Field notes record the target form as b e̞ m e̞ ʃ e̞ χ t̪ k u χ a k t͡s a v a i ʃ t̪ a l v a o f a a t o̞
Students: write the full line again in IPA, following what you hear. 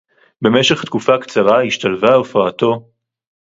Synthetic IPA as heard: b e̞ m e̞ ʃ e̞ χ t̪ k u f a k t͡s a ʁ a i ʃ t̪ a l v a o f a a t o̞